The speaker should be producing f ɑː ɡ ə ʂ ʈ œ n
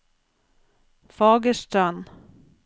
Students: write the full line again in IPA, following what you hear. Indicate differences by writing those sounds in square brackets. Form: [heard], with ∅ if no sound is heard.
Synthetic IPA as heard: f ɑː ɡ ə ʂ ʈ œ n